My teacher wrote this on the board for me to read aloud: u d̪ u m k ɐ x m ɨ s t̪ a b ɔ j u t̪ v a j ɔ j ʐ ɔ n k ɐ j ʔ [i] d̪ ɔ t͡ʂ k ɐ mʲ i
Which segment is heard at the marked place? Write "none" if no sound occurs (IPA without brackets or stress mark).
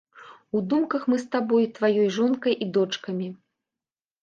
i